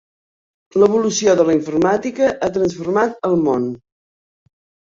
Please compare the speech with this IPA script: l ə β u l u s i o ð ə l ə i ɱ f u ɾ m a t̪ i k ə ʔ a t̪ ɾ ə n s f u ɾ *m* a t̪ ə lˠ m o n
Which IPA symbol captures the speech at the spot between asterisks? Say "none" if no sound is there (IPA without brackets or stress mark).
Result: m